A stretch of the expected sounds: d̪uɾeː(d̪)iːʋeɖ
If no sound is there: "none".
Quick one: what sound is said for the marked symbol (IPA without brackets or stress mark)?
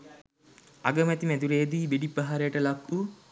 d̪